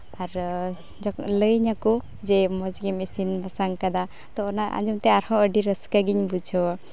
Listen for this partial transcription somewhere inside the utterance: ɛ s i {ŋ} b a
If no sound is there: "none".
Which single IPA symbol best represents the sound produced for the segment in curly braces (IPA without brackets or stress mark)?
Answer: n